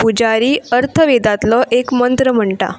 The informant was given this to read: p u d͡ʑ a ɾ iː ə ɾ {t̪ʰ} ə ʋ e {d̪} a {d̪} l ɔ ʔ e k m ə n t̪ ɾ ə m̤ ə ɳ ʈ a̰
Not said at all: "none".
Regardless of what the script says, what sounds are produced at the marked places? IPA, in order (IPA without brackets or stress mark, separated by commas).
t̪ʰ, d̪, t̪